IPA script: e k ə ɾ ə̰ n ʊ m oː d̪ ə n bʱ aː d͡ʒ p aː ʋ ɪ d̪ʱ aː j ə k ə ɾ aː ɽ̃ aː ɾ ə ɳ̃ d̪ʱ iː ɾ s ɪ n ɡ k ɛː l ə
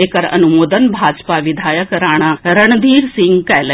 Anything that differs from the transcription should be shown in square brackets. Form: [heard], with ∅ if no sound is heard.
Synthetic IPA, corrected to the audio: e k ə ɾ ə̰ n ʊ m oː d̪ ə n bʱ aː d͡ʒ p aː ʋ ɪ d̪ʱ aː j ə k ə ɾ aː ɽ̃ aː ɾ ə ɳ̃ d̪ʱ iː ɾ s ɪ [ŋ] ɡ k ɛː l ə